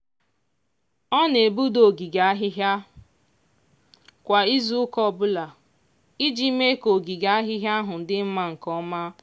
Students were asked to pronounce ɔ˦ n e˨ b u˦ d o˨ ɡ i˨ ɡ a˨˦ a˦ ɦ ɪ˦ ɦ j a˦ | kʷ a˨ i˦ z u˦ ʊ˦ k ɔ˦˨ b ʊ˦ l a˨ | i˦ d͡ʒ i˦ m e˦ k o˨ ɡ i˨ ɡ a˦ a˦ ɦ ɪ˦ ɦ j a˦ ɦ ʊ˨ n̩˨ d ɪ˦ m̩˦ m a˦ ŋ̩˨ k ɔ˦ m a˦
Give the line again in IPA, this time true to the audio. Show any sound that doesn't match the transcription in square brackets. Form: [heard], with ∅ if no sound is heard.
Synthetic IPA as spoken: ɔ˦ n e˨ b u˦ d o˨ ɡ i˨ ɡ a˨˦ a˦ ɦ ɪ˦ ɦ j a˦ | kʷ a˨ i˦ z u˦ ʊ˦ k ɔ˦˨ b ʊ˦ l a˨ | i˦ d͡ʒ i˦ m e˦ k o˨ ɡ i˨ ɡ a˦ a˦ ɦ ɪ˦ ɦ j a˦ ɦ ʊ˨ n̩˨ d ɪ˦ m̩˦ m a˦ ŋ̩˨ k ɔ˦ m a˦